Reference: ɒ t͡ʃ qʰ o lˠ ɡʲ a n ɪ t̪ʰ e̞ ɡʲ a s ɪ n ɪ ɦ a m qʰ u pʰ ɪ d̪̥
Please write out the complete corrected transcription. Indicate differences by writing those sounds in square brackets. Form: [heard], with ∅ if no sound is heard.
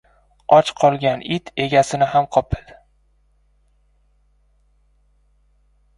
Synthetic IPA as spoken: ɒ t͡ʃ qʰ [ɒ] lˠ ɡʲ a n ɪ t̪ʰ e̞ ɡʲ a s ɪ n ɪ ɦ a m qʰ [ɒ] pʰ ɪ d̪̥